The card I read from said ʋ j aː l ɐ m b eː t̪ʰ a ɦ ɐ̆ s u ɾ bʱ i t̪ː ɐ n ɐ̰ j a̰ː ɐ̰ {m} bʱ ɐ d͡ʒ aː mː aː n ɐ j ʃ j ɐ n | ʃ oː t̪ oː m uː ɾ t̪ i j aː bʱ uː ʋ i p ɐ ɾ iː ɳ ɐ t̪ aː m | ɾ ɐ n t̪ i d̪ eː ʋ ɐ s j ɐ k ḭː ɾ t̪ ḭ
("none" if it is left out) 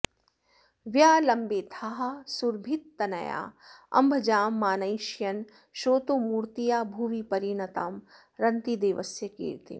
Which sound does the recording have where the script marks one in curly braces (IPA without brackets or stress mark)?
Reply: m